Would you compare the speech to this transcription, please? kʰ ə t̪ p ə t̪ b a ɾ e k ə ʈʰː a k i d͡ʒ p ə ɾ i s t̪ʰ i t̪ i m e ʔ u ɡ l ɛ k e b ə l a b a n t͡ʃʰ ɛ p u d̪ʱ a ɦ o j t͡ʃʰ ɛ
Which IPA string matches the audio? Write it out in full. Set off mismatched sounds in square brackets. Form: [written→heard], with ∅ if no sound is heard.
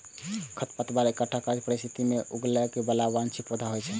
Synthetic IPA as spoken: kʰ ə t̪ p ə t̪ b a ɾ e k ə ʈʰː a k [i→a] d͡ʒ p ə ɾ i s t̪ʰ i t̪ i m e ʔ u ɡ l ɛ k e b ə l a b a n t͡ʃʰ [ɛ→i] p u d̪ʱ a ɦ o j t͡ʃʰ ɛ